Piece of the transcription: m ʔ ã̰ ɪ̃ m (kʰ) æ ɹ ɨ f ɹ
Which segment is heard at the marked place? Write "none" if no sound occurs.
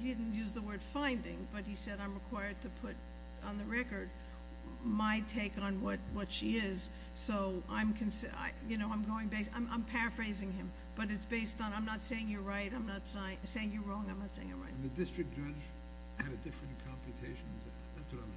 pʰ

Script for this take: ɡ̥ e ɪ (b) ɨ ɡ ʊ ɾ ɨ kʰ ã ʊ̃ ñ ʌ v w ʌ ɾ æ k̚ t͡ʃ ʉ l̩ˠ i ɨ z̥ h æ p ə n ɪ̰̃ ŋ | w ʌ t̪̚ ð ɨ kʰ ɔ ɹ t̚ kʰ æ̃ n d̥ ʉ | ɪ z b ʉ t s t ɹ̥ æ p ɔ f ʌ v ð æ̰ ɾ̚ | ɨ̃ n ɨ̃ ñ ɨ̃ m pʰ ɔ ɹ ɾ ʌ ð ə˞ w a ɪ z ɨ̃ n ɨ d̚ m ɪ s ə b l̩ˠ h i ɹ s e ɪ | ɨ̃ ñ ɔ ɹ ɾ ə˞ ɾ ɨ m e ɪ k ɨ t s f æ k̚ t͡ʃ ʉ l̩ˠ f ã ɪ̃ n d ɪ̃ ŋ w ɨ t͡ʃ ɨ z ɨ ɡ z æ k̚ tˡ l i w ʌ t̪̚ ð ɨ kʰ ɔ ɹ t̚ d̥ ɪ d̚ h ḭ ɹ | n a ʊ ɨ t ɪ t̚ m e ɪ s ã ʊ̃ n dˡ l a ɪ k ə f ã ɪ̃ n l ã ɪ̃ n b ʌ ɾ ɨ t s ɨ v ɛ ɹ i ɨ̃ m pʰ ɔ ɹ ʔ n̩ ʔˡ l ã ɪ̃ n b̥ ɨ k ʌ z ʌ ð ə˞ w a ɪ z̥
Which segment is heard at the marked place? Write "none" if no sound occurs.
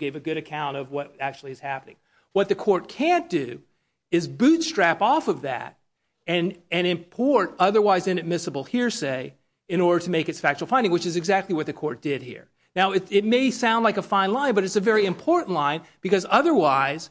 v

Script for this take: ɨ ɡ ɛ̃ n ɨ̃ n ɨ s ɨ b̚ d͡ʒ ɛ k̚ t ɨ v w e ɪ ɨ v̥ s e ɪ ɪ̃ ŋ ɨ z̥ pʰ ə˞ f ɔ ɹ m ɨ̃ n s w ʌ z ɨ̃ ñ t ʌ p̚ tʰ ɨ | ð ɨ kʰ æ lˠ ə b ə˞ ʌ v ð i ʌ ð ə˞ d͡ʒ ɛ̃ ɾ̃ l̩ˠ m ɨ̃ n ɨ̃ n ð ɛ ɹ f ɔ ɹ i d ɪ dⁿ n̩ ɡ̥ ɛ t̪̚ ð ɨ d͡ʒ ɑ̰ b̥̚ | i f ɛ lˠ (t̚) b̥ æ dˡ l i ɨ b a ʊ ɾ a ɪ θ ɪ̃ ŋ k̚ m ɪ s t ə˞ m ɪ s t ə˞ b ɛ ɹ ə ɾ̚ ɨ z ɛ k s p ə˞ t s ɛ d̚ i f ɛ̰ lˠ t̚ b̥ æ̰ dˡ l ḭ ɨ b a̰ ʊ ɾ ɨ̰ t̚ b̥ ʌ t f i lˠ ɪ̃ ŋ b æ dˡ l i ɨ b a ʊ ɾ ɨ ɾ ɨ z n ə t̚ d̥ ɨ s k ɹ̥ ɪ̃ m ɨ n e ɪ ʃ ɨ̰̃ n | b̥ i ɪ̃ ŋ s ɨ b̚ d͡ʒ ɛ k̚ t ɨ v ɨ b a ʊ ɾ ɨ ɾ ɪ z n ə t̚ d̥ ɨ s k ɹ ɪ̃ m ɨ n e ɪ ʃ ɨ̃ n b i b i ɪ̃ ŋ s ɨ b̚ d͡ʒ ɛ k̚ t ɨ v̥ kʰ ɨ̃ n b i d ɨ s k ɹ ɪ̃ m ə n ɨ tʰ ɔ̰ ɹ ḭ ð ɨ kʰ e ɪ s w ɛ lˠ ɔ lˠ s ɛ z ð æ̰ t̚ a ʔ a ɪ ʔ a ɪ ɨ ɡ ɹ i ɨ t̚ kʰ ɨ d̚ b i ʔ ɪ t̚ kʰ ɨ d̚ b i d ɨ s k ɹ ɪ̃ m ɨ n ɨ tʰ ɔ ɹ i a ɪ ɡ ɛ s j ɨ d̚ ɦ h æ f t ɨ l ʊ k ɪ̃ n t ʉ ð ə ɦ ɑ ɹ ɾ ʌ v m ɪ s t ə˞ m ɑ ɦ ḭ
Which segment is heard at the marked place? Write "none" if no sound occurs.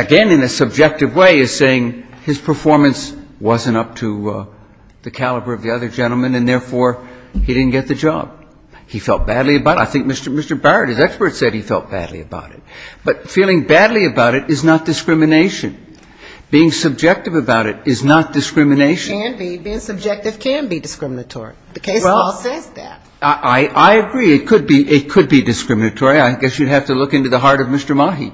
t̚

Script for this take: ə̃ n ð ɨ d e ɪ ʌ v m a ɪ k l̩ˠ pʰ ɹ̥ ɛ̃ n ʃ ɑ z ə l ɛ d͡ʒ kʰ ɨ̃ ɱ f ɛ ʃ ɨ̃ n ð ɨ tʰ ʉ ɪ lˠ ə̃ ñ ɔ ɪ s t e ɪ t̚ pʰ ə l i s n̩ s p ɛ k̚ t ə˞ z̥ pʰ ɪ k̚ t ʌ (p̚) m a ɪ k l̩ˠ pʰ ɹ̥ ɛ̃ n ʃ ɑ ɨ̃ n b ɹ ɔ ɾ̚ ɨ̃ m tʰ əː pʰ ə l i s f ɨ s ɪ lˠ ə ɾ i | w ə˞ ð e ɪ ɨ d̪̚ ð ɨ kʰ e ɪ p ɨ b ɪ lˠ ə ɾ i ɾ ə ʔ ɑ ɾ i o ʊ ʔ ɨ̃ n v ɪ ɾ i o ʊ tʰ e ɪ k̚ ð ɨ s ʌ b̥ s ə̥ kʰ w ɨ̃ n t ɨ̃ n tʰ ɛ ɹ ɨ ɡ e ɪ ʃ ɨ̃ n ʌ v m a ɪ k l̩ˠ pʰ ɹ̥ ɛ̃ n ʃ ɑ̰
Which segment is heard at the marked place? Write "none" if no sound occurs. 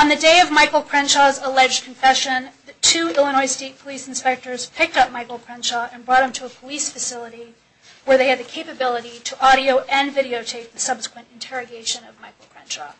p̚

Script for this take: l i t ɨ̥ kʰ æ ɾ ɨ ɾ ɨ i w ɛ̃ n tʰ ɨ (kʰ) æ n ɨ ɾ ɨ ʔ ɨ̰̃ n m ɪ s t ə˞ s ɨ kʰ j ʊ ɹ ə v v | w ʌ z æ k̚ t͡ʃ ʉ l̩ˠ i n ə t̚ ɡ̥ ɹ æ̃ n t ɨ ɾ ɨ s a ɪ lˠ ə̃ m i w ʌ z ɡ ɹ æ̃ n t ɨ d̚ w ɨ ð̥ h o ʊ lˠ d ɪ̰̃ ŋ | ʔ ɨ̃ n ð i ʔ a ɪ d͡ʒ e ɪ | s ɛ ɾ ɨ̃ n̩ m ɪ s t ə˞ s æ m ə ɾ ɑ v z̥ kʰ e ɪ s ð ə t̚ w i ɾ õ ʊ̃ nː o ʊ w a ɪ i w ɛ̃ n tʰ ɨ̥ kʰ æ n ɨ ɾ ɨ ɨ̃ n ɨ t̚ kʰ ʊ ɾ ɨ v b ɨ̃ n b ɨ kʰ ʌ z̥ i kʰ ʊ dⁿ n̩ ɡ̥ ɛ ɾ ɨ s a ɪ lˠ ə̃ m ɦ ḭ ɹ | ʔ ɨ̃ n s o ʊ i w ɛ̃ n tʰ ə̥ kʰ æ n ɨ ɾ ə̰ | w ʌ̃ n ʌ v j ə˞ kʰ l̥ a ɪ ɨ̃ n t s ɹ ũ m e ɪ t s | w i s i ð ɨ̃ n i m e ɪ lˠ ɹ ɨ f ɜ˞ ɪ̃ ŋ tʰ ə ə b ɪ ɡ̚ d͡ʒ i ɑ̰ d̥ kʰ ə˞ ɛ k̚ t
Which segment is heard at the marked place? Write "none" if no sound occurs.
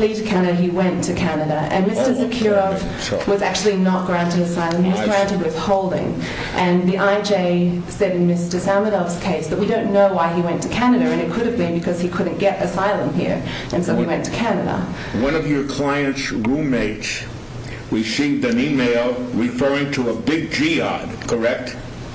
kʰ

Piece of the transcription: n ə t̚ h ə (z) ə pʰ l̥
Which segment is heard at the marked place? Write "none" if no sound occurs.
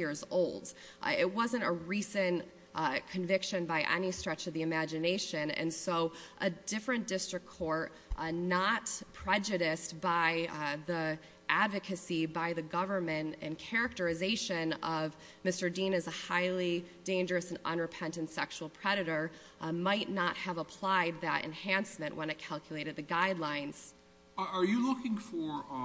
v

